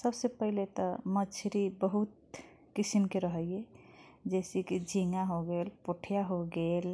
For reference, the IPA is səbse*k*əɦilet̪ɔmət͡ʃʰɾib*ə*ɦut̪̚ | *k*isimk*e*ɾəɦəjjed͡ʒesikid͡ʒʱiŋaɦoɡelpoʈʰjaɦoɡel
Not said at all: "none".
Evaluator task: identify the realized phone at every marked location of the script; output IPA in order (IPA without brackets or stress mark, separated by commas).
p, ə, k, e